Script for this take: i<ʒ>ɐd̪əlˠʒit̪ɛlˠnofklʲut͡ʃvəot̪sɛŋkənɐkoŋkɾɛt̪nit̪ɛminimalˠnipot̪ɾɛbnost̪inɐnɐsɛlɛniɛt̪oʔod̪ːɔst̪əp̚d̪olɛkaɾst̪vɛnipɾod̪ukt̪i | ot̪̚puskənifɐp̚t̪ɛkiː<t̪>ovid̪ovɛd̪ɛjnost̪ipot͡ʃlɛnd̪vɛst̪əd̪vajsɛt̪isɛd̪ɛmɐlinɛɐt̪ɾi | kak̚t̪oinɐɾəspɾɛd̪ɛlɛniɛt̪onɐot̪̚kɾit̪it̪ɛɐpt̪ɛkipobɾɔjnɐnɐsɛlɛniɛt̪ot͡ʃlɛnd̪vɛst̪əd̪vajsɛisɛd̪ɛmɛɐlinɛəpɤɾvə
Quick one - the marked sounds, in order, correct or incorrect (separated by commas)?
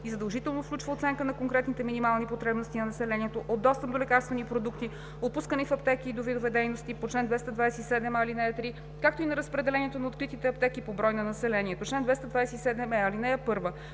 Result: incorrect, incorrect